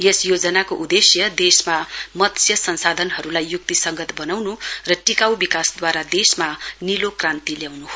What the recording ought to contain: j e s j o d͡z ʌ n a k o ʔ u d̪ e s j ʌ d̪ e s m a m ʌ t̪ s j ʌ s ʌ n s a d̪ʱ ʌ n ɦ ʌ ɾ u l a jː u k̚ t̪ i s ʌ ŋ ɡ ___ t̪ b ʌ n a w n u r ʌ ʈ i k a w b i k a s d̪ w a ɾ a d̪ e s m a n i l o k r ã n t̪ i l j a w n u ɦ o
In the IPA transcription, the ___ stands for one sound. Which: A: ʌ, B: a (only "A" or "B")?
A